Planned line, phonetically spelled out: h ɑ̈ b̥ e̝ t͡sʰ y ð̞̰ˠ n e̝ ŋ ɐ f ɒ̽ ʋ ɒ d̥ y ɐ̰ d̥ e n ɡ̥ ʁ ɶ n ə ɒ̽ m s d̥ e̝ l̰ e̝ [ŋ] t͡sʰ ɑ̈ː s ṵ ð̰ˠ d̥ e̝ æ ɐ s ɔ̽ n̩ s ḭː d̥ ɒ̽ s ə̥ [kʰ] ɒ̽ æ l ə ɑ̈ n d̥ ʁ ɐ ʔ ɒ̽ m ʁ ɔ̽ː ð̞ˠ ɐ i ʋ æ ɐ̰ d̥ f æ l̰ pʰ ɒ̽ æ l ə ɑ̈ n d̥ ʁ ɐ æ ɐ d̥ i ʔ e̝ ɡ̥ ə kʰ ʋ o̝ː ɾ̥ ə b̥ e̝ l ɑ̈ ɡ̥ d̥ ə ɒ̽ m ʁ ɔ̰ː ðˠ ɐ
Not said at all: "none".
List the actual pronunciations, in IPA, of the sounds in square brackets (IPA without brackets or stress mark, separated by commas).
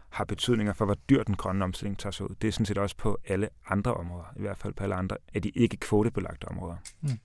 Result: ŋ, pʰ